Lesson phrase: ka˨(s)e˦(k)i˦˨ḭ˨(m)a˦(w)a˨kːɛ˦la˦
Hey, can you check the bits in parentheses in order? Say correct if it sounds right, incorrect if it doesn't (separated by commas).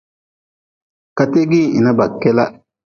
incorrect, incorrect, incorrect, incorrect